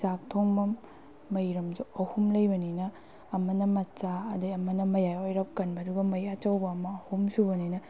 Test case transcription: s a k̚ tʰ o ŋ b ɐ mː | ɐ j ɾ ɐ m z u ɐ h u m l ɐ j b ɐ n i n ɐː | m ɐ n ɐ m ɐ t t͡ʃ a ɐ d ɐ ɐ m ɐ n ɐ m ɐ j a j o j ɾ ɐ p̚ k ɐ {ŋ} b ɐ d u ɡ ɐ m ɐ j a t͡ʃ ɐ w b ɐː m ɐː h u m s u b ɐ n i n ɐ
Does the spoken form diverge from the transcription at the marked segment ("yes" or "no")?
yes